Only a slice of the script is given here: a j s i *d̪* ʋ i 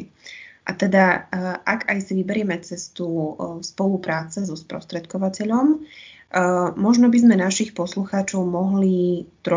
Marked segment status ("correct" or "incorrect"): incorrect